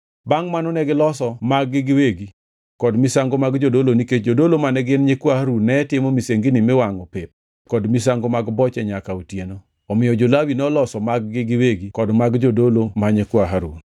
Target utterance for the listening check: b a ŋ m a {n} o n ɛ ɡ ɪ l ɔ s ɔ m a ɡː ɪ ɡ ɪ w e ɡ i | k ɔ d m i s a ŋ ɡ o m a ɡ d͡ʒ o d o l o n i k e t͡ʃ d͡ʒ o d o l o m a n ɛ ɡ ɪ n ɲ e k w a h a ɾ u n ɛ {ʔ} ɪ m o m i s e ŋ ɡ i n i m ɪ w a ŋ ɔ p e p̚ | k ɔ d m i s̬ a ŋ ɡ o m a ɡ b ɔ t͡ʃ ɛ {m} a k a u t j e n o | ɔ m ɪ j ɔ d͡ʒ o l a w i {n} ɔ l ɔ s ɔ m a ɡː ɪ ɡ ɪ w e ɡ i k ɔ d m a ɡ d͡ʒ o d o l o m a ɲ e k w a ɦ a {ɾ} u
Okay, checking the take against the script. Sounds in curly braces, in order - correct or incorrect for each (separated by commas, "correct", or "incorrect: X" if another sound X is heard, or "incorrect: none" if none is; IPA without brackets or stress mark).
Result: correct, incorrect: t, incorrect: ɲ, correct, correct